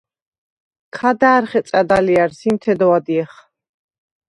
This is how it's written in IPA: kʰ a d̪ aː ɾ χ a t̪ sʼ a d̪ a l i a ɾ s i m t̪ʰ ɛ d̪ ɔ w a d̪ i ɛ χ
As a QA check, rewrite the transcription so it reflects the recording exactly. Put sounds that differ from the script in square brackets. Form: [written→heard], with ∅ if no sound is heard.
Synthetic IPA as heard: kʰ a d̪ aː ɾ χ [a→ɛ] t̪ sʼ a d̪ a l i a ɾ s i m t̪ʰ ɛ d̪ ɔ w a d̪ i ɛ χ